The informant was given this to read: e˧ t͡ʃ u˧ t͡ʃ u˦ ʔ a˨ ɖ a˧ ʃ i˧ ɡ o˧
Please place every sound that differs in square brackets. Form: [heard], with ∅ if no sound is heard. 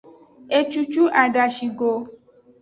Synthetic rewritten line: e˧ t͡ʃ u˧ t͡ʃ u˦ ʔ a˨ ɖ a˧ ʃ i˧ ɡ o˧